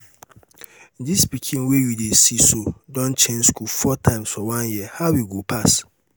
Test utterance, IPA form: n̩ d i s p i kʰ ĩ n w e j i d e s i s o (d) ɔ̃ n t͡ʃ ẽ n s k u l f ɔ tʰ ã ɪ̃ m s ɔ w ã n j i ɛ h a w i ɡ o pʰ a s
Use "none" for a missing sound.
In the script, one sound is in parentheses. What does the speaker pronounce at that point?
d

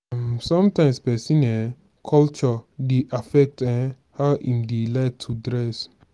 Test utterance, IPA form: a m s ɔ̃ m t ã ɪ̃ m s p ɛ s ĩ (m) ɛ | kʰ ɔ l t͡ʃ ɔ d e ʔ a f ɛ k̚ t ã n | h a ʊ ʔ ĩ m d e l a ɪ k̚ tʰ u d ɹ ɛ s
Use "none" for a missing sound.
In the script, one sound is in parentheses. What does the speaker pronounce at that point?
n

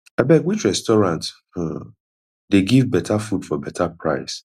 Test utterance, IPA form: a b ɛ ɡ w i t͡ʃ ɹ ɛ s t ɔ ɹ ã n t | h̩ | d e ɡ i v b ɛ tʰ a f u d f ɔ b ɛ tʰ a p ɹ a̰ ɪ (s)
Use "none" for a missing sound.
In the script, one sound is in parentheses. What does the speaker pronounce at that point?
s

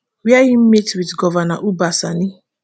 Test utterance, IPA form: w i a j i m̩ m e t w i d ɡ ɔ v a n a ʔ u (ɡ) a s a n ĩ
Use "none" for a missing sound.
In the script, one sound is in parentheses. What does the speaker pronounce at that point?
b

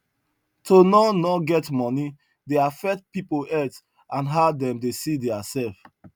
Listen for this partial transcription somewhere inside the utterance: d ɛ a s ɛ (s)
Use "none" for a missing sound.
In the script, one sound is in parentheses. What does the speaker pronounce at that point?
f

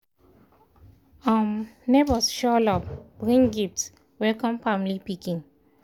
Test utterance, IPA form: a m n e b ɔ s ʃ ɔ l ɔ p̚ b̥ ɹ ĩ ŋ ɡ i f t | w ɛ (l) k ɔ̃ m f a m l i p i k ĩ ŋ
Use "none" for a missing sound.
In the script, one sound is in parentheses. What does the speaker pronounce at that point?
l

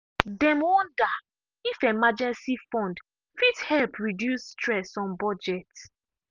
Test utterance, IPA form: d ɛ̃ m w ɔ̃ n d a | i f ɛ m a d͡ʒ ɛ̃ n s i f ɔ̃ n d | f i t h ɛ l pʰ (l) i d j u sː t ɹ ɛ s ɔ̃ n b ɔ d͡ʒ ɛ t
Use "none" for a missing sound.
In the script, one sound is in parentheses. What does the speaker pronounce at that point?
ɹ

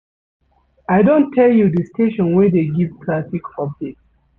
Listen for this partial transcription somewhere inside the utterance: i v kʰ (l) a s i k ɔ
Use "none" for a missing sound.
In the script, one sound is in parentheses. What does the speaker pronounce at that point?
l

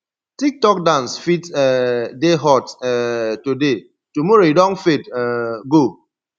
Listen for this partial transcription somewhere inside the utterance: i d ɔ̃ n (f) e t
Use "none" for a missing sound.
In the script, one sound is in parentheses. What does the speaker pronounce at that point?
f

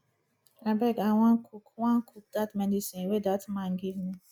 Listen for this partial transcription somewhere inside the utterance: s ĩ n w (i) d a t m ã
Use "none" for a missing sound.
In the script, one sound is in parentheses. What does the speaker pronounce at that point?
e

